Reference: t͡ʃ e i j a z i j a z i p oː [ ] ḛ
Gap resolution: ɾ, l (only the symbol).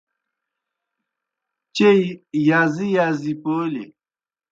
l